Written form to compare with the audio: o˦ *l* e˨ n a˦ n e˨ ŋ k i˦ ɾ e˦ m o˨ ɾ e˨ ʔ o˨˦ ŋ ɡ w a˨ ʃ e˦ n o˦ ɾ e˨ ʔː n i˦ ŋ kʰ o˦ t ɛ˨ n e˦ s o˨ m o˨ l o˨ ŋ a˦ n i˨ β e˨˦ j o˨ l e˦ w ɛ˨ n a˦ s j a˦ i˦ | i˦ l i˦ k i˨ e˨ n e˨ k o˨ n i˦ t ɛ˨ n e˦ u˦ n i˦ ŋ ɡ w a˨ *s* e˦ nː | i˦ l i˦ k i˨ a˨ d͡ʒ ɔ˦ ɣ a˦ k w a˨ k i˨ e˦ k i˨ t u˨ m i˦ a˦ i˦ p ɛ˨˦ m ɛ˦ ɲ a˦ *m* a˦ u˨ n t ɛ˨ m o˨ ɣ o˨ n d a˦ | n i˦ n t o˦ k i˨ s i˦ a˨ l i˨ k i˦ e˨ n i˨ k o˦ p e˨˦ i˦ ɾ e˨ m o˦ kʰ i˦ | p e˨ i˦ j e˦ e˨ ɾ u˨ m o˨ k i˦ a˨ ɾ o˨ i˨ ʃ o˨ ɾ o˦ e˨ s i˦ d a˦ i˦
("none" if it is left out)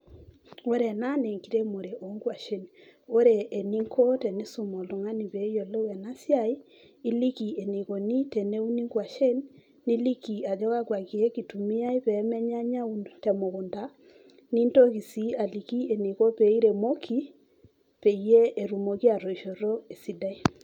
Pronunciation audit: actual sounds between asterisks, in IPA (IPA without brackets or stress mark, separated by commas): ɾ, ʃ, ɲ